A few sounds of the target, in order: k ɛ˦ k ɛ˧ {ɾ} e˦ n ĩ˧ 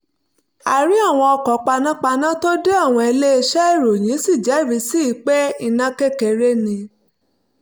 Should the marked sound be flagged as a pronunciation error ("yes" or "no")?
no